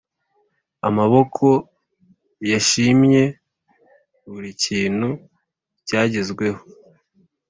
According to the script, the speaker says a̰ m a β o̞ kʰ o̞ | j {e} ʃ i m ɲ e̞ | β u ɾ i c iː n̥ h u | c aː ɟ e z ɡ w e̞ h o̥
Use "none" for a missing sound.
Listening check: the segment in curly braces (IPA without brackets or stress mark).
a